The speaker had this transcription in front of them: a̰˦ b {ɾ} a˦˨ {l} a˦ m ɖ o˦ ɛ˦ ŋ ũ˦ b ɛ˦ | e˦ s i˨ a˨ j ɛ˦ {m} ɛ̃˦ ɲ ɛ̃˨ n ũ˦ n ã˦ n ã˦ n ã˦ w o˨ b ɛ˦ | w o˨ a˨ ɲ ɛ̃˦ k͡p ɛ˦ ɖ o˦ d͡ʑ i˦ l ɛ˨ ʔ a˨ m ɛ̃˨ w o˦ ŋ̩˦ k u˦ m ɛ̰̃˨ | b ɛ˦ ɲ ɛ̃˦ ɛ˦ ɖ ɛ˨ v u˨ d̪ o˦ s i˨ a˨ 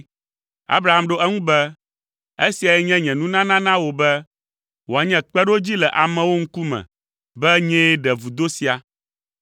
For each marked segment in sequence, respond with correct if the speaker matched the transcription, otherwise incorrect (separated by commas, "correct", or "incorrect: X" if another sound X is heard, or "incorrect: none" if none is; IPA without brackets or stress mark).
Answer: correct, incorrect: none, incorrect: ɲ